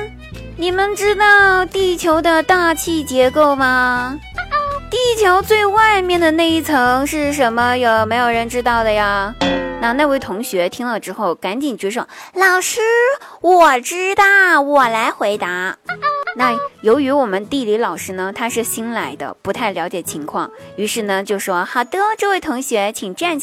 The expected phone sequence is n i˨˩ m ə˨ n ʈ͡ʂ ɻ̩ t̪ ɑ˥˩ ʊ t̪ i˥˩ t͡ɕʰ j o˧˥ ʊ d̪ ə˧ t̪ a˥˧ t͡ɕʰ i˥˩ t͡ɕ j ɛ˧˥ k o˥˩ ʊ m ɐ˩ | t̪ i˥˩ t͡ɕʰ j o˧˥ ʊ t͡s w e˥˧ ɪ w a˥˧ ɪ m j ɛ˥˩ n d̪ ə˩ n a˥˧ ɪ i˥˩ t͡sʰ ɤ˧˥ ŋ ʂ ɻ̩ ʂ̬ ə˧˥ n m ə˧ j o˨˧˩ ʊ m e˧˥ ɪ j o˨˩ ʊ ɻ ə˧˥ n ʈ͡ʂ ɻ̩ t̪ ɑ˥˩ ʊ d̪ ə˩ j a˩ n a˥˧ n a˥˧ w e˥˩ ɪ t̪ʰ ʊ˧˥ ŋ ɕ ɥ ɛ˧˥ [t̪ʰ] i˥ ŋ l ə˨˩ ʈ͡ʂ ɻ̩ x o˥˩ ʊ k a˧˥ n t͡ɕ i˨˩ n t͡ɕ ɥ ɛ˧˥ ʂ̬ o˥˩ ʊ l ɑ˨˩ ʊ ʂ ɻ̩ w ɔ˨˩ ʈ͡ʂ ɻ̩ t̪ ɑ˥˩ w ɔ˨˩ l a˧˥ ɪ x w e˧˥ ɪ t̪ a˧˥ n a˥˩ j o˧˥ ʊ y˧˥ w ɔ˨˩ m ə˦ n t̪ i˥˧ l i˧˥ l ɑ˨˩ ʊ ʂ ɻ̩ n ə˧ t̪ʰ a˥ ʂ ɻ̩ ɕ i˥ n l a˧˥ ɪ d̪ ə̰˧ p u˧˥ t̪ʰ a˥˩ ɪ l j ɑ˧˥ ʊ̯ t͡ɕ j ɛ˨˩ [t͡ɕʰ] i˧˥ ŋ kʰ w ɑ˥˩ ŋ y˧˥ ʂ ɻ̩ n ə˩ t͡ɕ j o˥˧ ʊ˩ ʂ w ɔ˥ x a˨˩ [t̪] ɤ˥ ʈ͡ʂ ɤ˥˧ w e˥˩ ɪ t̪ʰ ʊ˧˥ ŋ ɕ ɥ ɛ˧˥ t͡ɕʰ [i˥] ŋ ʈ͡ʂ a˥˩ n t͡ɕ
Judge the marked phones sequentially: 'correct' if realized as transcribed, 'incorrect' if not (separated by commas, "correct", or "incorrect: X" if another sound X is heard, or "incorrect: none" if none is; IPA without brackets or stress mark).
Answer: correct, correct, correct, incorrect: i˨˩